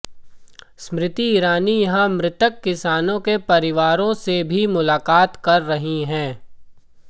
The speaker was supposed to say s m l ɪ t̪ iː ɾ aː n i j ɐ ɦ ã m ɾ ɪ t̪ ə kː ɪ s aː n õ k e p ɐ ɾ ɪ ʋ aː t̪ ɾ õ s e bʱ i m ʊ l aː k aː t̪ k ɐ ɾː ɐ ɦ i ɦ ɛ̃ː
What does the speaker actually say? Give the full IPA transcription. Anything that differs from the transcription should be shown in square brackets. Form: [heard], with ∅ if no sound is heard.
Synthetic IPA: s m [ɾ] ɪ t̪ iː ɾ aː n i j ɐ ɦ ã m ɾ ɪ t̪ ə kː ɪ s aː n õ k e p ɐ ɾ ɪ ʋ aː [∅] ɾ õ s e bʱ i m ʊ l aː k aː t̪ k ɐ ɾː ɐ ɦ i ɦ ɛ̃ː